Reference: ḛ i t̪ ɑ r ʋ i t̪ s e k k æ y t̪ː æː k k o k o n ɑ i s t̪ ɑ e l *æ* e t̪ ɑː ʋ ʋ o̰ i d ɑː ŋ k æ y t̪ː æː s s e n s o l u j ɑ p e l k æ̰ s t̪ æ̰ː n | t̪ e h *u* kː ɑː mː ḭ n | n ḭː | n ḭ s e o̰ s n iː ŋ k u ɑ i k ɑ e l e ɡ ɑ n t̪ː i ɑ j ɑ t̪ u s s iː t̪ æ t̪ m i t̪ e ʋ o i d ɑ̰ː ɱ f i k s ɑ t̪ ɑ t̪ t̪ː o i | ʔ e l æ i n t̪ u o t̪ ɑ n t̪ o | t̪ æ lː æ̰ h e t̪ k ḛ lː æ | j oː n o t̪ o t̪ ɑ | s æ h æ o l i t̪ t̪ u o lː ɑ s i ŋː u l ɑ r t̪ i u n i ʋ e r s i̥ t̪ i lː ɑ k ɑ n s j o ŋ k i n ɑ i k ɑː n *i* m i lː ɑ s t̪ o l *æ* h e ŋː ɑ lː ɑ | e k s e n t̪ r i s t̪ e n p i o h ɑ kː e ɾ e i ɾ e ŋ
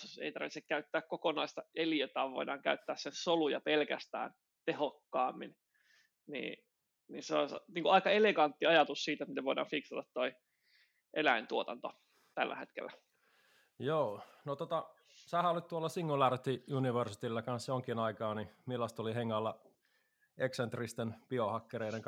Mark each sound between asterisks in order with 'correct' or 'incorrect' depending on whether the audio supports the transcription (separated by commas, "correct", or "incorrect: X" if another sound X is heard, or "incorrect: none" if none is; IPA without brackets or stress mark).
incorrect: i, incorrect: o, correct, incorrect: i